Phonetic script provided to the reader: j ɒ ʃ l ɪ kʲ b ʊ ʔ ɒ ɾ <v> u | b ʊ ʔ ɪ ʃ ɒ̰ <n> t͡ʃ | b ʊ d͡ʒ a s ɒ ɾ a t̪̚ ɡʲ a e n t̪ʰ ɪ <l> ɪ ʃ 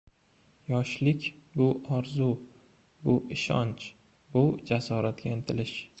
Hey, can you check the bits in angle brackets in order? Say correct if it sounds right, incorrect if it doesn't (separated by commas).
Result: incorrect, correct, correct